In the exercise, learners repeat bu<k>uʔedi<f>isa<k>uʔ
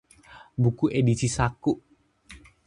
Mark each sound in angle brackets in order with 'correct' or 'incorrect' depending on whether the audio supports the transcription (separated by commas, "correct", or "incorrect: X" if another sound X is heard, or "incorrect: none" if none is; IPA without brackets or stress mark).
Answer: correct, incorrect: s, correct